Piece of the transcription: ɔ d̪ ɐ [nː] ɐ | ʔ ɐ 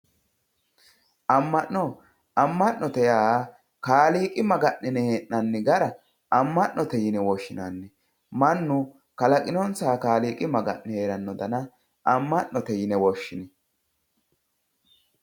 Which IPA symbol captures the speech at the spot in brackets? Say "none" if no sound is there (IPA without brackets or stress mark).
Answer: n